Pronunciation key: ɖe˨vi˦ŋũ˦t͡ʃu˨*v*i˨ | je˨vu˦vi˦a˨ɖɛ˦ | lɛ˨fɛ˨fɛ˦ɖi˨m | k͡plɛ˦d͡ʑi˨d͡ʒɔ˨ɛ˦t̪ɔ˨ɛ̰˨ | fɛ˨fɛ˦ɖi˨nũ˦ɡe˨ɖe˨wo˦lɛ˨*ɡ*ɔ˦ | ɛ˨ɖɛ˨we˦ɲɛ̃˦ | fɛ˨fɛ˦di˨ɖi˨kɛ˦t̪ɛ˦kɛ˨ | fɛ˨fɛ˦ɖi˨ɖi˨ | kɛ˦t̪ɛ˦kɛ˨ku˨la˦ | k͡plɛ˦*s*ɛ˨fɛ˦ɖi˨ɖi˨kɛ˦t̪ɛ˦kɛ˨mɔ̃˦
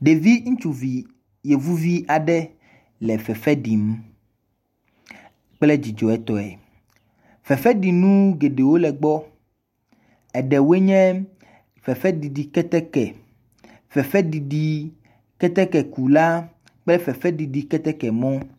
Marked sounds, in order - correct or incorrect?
correct, incorrect, incorrect

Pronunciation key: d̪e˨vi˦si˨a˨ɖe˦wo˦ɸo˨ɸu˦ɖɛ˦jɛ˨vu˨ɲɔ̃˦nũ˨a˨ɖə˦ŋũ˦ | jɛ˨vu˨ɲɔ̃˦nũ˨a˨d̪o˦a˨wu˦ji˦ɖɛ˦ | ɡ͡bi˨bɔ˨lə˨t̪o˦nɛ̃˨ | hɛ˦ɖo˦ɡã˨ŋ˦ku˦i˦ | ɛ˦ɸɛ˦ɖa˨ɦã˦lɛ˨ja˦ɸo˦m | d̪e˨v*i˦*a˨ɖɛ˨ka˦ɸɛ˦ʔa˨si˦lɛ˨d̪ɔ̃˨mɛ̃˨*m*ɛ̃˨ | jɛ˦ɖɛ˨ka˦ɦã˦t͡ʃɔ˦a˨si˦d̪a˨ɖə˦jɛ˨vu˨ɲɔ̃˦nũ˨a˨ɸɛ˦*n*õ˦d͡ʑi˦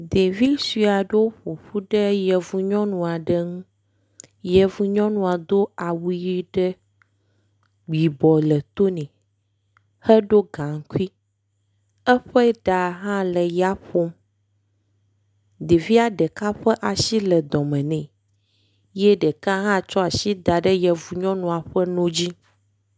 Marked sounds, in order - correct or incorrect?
correct, incorrect, correct

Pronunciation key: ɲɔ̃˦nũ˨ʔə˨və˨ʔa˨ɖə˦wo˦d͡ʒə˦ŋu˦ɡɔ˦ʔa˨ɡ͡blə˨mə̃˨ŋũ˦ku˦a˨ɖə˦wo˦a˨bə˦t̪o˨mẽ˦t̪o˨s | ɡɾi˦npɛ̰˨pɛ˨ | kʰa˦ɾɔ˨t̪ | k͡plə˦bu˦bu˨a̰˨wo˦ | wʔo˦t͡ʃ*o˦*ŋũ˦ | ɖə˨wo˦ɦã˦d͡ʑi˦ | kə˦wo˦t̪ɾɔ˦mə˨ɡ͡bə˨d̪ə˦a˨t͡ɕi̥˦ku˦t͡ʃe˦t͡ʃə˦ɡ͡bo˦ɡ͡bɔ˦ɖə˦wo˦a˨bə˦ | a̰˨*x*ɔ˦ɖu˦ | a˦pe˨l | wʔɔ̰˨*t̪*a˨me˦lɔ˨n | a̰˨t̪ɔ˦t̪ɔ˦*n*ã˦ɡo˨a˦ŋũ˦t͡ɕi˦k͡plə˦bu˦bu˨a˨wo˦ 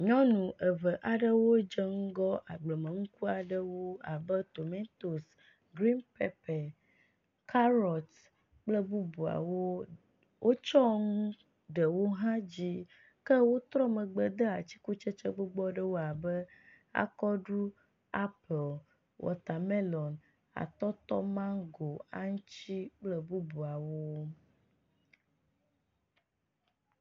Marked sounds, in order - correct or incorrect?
incorrect, incorrect, correct, incorrect

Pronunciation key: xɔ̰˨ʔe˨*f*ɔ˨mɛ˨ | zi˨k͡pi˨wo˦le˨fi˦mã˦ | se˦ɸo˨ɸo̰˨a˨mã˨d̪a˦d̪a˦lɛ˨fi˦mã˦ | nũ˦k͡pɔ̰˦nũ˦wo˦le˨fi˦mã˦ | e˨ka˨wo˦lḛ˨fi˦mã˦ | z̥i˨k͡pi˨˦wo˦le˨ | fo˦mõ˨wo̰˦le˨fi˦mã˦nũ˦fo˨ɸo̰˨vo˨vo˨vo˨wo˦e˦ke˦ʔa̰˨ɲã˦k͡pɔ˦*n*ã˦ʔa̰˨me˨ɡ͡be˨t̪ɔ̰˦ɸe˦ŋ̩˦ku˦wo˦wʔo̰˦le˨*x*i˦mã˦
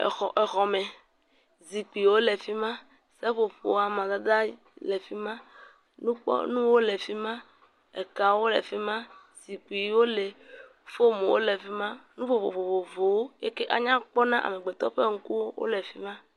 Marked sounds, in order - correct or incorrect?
incorrect, correct, incorrect

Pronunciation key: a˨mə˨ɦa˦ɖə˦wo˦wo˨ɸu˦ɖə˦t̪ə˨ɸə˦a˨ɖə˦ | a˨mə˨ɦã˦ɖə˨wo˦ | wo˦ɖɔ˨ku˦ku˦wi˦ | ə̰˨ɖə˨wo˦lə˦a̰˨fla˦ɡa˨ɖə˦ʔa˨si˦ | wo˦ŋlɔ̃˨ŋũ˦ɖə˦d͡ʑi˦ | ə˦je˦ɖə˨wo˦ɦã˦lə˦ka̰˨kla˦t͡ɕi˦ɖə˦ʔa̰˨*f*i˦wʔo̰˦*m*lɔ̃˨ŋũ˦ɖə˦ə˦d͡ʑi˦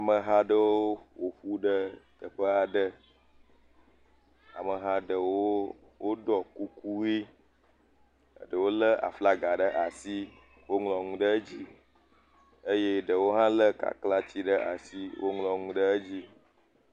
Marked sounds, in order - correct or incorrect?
incorrect, incorrect

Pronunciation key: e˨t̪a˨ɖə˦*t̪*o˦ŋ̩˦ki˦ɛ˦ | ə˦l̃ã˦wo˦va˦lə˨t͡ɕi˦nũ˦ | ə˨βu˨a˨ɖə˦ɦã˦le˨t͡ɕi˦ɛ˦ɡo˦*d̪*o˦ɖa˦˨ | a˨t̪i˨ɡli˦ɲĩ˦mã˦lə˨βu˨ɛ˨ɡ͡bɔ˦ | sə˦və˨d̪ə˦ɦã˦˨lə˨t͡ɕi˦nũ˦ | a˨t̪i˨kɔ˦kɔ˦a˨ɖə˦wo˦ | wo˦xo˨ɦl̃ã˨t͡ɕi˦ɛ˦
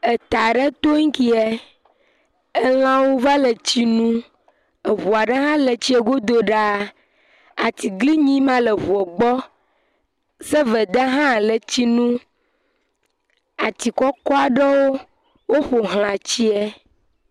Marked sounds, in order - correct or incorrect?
correct, correct

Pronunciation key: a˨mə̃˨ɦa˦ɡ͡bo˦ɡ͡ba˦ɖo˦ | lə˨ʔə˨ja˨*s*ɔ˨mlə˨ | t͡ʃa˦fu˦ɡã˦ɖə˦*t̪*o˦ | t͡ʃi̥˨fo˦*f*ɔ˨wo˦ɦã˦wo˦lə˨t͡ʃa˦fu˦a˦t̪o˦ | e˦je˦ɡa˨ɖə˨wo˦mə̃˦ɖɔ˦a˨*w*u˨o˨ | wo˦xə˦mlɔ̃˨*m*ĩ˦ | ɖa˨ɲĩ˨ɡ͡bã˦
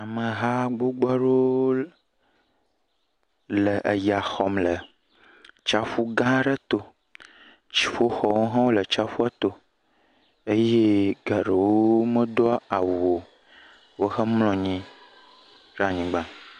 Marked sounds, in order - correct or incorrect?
incorrect, correct, incorrect, correct, incorrect

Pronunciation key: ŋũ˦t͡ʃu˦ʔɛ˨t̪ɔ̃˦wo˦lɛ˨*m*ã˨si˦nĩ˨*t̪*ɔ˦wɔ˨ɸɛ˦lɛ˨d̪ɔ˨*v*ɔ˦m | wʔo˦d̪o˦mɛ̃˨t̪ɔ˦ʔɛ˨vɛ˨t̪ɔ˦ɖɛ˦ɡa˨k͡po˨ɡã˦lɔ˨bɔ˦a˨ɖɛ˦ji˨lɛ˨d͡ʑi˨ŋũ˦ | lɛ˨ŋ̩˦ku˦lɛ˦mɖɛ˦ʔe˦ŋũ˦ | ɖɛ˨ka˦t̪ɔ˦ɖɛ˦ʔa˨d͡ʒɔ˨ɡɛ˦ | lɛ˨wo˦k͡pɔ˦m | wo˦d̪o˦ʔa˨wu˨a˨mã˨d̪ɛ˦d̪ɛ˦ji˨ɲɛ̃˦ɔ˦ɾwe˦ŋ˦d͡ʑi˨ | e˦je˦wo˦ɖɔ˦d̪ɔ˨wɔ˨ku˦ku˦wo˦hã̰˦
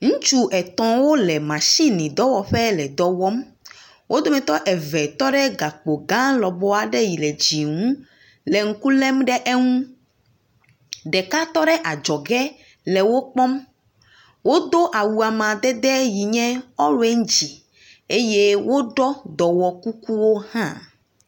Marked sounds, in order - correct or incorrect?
correct, incorrect, incorrect

